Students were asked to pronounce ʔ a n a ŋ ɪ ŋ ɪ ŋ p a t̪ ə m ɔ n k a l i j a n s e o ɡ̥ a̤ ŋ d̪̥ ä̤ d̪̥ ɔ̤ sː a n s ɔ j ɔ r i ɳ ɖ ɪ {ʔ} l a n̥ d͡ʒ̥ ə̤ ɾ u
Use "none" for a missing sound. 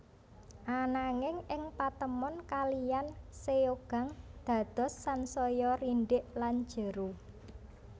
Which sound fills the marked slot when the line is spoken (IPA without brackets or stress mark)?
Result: ʔ